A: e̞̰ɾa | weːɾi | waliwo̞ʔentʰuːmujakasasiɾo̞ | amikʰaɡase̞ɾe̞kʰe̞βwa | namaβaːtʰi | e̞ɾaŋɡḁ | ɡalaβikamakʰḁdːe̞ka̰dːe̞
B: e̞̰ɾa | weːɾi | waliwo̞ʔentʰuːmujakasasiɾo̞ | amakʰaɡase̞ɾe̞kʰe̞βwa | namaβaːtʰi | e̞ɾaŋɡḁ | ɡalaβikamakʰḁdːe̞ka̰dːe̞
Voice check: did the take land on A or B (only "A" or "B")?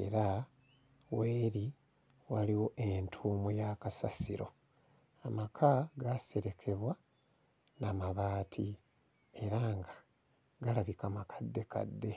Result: B